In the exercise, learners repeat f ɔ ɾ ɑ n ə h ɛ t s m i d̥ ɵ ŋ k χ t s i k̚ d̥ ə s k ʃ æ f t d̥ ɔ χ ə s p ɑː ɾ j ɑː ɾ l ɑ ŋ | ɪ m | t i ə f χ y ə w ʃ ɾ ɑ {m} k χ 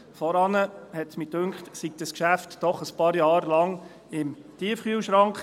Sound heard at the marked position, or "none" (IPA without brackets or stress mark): ŋ